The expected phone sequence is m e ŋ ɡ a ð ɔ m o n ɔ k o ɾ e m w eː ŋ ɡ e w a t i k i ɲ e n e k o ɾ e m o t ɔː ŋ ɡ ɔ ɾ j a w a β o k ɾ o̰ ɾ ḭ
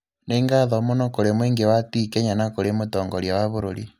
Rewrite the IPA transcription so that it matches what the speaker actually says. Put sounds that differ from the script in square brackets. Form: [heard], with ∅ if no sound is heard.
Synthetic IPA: [n] e ŋ ɡ a ð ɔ m o n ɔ k o ɾ e m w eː ŋ ɡ e w a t i k [e] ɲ [a] n [a] k o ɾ e m o t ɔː ŋ ɡ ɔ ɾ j a w a β o [∅] ɾ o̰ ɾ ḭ